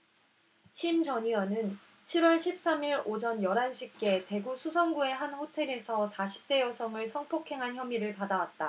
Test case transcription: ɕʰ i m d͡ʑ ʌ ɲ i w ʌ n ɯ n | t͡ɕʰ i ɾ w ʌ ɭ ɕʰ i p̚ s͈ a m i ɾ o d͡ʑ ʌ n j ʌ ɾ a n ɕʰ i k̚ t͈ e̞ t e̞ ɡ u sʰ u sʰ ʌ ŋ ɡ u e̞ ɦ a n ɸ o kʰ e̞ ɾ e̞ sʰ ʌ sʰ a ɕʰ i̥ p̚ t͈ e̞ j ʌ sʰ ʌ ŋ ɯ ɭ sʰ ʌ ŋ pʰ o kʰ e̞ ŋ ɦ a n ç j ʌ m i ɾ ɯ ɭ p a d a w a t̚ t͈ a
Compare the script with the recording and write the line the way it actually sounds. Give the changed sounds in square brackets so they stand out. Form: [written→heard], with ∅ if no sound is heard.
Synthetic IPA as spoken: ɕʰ i m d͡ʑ ʌ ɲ i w ʌ n ɯ n | t͡ɕʰ i ɾ w ʌ ɭ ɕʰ i p̚ s͈ a m i ɾ o d͡ʑ ʌ n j ʌ ɾ a n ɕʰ i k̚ [t͈→k͈] e̞ t e̞ ɡ u sʰ u sʰ ʌ ŋ ɡ u e̞ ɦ a n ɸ o [kʰ→tʰ] e̞ ɾ e̞ sʰ ʌ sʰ a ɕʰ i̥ p̚ t͈ e̞ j ʌ sʰ ʌ ŋ ɯ ɭ sʰ ʌ ŋ pʰ o kʰ e̞ ŋ ɦ a n ç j ʌ m i ɾ ɯ ɭ p a d a w a t̚ t͈ a